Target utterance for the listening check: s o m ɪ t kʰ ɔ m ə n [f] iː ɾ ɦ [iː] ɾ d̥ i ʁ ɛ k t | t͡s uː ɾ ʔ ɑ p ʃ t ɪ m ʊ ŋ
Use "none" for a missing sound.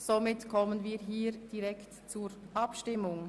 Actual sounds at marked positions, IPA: v, iː

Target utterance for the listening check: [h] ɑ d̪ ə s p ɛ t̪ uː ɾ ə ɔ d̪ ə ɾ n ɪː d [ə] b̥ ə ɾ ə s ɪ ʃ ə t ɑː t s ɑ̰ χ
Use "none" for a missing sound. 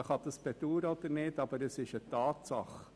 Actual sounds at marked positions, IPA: χ, ɑ

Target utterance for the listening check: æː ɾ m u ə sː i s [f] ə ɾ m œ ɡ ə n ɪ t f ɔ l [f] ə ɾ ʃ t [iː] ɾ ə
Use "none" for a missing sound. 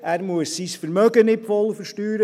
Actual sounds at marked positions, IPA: f, f, yː

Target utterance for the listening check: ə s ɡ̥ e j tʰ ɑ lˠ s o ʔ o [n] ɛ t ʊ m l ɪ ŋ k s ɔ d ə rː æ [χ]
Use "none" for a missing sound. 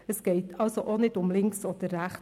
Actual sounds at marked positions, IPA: n, χ

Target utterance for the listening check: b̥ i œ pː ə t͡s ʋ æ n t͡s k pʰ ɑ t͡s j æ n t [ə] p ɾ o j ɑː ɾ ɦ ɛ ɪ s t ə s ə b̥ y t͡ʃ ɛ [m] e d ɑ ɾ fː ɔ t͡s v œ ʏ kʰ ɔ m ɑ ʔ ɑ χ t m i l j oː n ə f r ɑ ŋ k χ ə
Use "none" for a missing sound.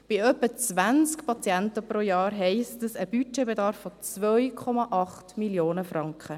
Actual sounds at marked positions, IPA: ə, b

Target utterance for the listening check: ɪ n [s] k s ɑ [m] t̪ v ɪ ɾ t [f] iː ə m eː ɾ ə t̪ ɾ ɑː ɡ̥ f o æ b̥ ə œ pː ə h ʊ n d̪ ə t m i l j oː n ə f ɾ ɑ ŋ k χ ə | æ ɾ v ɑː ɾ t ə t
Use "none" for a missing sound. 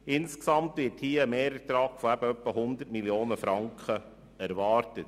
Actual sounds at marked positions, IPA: s, m, h

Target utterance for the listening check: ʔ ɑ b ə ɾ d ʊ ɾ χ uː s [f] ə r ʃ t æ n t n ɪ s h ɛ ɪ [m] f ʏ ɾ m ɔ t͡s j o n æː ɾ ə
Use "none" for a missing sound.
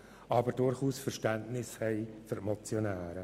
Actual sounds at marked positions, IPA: f, none

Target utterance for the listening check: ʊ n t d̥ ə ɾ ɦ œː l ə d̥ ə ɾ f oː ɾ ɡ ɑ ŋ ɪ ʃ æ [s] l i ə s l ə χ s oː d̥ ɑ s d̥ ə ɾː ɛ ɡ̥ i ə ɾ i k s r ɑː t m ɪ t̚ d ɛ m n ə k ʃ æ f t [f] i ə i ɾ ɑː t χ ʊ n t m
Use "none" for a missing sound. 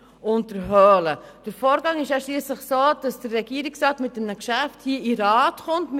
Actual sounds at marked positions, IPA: ʃ, h

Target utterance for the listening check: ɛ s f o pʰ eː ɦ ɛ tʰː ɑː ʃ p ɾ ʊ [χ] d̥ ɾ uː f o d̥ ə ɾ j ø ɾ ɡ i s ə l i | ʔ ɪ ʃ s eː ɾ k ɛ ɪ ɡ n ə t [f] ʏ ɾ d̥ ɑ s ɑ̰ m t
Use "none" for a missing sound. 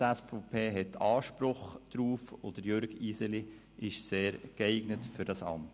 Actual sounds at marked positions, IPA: χ, f

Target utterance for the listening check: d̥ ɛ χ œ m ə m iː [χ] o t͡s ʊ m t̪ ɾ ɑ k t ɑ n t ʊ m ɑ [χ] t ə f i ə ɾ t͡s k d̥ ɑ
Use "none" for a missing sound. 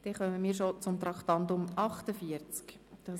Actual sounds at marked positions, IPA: ʃ, χ

